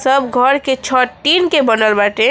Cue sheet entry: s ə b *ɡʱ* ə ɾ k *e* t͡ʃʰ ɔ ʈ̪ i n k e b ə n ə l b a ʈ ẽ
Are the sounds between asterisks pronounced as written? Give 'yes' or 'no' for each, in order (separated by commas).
yes, yes